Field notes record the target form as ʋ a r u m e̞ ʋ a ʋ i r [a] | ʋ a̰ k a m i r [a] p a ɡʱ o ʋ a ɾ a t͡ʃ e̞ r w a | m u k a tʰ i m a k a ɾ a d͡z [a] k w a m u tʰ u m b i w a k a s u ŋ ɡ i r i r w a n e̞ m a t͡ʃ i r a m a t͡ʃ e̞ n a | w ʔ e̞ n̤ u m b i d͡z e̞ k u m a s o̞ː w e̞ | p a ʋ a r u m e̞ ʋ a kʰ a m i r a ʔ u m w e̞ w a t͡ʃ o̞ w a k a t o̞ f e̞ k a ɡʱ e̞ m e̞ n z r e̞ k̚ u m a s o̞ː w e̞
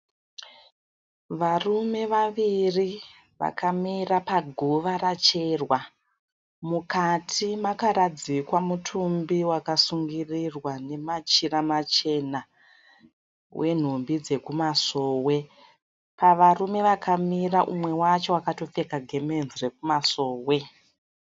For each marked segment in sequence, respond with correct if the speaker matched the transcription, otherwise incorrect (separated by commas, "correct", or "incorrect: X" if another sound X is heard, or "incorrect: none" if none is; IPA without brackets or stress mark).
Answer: incorrect: i, correct, incorrect: i